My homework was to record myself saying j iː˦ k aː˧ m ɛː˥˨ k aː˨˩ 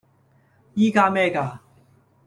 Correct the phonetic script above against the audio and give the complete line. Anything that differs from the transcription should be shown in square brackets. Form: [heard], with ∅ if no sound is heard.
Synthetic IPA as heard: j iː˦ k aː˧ m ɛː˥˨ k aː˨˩